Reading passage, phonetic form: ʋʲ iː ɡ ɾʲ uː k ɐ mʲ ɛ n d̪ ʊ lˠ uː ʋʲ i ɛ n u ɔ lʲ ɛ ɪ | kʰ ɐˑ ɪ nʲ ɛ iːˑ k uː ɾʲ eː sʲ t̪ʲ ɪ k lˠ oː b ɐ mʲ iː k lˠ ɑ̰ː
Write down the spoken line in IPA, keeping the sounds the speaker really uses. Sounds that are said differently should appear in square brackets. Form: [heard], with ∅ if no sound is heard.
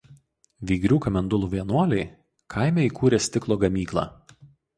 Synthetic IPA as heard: ʋʲ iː ɡ ɾʲ uː k ɐ mʲ ɛ n d̪ ʊ lˠ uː ʋʲ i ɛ n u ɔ lʲ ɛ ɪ | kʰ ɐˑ ɪ [mʲ] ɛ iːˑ k uː ɾʲ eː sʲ t̪ʲ ɪ k lˠ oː [ɡ] ɐ mʲ iː k lˠ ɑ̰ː